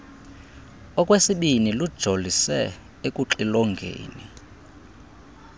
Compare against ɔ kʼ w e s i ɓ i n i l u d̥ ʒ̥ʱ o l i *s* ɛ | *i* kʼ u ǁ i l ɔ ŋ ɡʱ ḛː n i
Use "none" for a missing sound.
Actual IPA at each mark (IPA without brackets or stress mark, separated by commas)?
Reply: s, e